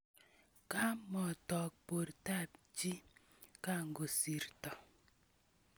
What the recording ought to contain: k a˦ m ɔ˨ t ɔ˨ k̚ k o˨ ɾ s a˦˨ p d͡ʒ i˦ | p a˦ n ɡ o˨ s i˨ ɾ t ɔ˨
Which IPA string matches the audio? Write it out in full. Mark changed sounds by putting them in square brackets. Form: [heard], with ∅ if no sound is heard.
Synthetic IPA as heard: k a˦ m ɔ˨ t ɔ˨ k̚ [p] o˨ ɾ [t] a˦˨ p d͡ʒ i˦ | [k] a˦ [ŋ] ɡ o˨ s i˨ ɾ t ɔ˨

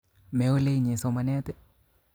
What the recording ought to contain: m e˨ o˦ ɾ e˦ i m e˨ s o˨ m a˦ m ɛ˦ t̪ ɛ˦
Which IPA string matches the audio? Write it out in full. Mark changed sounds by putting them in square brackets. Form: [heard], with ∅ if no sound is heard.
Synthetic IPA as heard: m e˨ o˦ [l] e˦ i [ɲ] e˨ s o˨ m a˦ [n] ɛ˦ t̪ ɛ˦

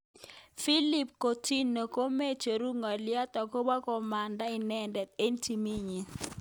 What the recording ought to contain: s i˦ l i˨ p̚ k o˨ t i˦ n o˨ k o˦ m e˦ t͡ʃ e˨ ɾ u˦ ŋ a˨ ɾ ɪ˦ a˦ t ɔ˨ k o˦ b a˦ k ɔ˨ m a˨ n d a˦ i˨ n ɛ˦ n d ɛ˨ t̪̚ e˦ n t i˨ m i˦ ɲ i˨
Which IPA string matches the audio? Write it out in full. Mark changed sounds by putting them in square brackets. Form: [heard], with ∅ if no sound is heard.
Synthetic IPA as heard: [f] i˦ l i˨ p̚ k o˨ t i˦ n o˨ k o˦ m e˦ t͡ʃ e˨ ɾ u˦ ŋ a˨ [l] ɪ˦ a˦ t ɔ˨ k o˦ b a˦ k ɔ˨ m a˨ n d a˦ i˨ n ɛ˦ n d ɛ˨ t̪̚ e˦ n t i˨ m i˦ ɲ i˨

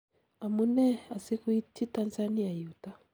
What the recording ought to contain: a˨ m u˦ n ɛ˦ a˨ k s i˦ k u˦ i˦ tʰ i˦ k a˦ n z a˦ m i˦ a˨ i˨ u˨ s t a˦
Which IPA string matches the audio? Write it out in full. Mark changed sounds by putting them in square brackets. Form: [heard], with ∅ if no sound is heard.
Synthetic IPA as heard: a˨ m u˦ n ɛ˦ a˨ [∅] s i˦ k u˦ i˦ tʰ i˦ [t] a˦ n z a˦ [n] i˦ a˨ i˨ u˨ [∅] t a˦

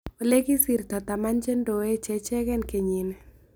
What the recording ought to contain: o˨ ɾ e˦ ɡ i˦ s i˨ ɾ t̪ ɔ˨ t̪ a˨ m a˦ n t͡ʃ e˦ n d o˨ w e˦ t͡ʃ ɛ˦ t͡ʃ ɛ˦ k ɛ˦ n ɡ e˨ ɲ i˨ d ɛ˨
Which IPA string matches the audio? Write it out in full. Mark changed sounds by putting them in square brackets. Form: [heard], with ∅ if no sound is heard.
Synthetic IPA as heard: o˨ [l] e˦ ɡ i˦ s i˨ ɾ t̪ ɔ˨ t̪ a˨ m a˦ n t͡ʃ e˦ n d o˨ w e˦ t͡ʃ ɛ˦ t͡ʃ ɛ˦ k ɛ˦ n [k] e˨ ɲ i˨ [n] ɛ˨

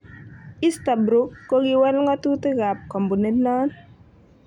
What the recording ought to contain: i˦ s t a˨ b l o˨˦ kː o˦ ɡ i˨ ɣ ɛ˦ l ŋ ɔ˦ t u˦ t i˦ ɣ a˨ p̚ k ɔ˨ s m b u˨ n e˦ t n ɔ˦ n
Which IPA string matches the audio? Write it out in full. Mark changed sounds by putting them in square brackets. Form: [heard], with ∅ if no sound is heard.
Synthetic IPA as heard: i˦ s t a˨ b [ɾ] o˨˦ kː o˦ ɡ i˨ [w] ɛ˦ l ŋ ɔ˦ t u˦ t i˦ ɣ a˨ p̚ k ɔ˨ [∅] m b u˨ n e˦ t n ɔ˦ n

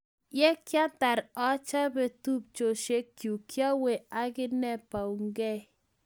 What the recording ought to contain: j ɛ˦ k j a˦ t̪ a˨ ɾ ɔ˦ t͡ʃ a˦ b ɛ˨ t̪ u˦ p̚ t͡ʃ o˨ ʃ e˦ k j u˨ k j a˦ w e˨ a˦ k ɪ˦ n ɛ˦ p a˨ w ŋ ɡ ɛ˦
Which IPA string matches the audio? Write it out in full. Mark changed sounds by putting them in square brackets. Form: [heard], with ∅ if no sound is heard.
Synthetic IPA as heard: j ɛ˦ k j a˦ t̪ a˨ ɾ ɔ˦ t͡ʃ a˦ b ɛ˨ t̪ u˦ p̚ t͡ʃ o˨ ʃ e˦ k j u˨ k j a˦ w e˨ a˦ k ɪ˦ n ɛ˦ p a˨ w ŋ ɡ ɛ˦

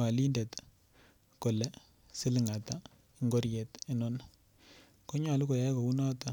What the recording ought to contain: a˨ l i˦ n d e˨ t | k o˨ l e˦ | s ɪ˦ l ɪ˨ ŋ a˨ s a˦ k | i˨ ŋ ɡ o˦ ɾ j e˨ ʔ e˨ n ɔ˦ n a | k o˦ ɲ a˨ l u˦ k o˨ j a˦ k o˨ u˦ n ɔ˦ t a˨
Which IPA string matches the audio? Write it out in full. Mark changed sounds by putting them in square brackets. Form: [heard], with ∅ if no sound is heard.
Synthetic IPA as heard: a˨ l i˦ n d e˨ t | k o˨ l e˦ | s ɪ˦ l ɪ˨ ŋ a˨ [t] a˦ [∅] | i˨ ŋ ɡ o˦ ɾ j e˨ [t] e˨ n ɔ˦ n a | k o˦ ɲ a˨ l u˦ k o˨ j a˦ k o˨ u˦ n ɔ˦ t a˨

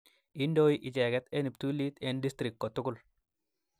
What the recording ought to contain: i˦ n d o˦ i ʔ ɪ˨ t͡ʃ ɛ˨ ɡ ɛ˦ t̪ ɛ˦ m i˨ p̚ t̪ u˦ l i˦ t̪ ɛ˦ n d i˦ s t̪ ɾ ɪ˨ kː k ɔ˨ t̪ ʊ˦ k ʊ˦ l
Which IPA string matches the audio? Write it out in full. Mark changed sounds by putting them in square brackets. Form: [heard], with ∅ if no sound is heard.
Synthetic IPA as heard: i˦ n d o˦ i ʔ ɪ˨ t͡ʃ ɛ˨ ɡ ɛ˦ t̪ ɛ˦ [n] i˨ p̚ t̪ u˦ l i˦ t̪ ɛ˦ n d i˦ s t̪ ɾ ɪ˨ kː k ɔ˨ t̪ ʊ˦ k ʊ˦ l

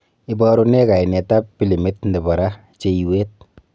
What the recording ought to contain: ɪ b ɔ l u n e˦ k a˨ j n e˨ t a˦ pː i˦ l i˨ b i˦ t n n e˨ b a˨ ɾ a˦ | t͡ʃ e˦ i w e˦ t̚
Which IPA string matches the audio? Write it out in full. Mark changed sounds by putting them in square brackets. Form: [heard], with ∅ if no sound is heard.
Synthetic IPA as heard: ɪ b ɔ [ɾ] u n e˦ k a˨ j n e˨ t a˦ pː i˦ l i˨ [m] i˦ t n [d] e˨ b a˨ ɾ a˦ | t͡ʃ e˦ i w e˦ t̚

